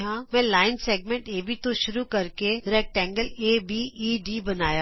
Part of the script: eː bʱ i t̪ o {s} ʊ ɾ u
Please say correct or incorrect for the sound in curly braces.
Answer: incorrect